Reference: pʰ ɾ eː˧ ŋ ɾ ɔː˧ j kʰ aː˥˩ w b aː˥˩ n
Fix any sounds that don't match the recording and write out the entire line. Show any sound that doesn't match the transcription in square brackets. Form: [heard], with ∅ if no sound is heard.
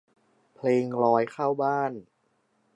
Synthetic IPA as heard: pʰ [l] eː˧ ŋ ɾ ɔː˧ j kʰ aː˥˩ w b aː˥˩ n